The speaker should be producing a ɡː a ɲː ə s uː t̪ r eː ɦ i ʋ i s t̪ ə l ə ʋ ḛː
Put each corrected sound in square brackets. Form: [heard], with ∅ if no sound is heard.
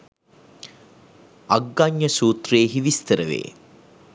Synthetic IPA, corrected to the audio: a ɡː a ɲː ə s uː t̪ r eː ɦ i ʋ i s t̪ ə [ɾ] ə ʋ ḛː